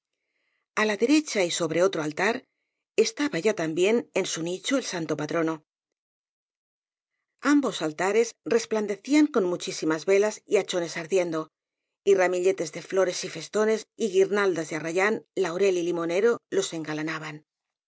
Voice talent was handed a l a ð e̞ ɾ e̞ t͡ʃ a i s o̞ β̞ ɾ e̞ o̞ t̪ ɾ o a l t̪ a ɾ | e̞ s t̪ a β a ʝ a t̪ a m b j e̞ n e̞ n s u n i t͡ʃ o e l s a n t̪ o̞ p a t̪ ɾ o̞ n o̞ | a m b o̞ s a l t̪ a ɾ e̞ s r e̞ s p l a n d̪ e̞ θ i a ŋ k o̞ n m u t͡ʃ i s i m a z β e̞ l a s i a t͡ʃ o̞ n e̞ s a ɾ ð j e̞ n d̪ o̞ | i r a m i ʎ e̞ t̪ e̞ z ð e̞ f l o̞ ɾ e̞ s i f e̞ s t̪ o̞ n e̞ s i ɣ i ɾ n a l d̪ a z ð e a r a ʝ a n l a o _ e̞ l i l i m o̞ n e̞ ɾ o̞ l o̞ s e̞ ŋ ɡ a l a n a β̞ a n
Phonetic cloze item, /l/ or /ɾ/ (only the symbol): ɾ